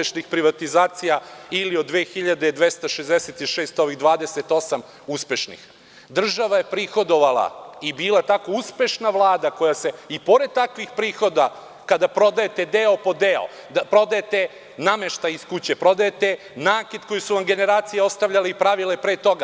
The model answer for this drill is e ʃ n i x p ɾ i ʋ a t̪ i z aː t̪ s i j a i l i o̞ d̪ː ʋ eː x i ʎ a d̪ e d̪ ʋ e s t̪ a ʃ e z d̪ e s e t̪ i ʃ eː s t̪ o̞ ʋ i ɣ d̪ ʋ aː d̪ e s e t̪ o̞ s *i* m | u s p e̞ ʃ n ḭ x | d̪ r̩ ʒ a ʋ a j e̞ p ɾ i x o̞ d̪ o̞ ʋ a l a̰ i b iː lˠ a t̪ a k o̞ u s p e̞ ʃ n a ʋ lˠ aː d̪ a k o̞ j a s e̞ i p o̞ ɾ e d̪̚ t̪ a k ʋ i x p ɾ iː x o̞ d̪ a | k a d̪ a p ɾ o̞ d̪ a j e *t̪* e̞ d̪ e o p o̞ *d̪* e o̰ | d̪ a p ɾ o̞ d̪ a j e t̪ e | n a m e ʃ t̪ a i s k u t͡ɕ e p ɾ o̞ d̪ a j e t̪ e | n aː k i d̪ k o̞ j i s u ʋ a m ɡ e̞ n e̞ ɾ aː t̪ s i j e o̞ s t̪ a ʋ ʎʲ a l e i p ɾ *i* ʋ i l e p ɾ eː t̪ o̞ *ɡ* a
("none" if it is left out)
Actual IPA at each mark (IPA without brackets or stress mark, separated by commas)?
a, t̪, d̪, a, ɡ